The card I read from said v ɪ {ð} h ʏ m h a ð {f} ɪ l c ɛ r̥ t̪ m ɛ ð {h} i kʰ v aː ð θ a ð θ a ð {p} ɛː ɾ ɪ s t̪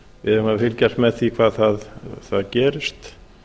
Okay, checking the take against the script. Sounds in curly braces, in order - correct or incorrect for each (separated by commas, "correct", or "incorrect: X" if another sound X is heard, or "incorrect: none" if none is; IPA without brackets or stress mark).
correct, correct, incorrect: θ, incorrect: c